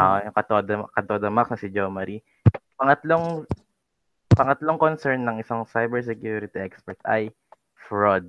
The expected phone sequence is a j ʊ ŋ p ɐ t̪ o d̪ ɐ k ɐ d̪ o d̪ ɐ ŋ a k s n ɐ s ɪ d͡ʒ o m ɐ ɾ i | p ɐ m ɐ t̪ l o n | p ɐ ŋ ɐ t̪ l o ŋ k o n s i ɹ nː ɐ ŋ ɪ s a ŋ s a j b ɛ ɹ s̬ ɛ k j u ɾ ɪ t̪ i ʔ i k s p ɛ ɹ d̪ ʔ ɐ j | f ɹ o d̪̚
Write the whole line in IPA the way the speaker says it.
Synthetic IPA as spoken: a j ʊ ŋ k ɐ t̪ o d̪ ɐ k ɐ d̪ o d̪ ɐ m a k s n ɐ s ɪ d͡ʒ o m ɐ ɾ i | p ɐ ŋ ɐ t̪ l o ŋ | p ɐ ŋ ɐ t̪ l o ŋ k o n s ɛ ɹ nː ɐ ŋ ɪ s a ŋ s a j b ɛ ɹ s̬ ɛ k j u ɾ ɪ t̪ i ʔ ɛ k s p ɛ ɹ t̪ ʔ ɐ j | f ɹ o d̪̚